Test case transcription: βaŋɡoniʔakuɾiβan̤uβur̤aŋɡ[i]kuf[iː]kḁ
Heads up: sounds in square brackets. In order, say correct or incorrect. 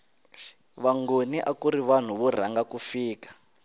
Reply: incorrect: a, correct

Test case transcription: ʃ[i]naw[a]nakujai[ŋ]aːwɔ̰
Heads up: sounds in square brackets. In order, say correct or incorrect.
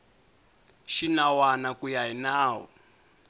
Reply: correct, correct, incorrect: n

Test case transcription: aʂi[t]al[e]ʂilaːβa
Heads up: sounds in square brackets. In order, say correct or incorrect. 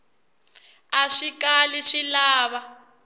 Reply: incorrect: k, incorrect: i

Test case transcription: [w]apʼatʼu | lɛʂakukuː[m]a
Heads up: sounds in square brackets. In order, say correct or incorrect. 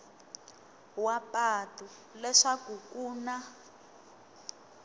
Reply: correct, incorrect: n

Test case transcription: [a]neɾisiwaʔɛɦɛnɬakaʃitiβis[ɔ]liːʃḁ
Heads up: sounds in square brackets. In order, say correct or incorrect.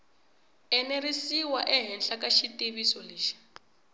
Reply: incorrect: ɛ, correct

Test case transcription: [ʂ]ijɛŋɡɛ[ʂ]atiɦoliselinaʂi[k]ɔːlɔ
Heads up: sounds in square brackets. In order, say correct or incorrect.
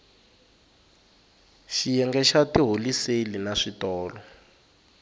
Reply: incorrect: ʃ, incorrect: ʃ, incorrect: t

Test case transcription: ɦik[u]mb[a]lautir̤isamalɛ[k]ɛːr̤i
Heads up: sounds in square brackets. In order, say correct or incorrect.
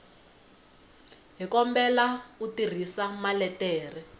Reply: incorrect: ɔ, incorrect: ɛ, incorrect: t

